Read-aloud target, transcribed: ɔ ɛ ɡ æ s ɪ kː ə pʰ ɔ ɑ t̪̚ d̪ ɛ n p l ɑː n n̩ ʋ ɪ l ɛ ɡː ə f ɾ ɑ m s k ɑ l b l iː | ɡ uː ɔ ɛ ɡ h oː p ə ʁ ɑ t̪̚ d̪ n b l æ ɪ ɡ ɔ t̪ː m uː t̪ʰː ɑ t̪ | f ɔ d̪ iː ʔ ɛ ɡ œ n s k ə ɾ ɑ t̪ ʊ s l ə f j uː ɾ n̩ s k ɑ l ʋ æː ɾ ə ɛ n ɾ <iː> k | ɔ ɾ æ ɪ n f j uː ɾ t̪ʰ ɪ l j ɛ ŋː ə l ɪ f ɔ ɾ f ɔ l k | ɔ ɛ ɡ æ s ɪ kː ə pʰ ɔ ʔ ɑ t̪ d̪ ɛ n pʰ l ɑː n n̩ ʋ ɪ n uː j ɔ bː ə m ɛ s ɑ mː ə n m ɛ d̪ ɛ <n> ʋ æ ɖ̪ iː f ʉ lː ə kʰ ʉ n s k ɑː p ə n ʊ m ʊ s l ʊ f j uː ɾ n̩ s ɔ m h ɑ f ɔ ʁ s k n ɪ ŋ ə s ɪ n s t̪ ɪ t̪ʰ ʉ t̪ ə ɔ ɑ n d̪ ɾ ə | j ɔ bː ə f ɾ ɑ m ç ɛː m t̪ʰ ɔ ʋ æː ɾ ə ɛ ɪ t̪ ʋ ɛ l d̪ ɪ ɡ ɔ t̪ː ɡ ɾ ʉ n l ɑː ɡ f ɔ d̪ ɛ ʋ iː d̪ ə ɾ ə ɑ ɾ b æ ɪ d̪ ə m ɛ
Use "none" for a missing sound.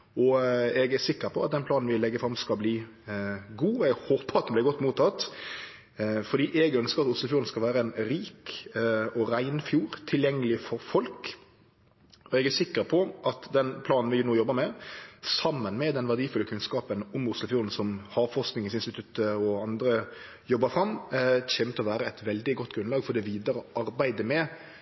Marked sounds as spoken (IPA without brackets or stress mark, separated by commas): iː, n